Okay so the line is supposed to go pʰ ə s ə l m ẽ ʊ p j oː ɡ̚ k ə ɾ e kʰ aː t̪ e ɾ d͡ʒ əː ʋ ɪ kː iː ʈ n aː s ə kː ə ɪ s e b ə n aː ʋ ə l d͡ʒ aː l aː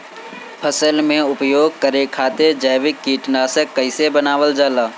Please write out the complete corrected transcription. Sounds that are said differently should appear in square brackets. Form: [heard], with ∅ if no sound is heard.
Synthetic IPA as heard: pʰ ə s ə l m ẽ ʊ p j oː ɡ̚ k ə ɾ e kʰ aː t̪ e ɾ d͡ʒ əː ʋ ɪ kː iː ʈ n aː s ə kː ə ɪ s e b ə n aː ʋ ə l d͡ʒ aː l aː